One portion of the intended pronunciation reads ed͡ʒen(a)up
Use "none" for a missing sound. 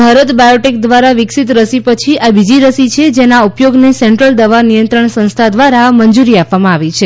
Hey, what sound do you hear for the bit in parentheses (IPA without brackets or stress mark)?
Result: a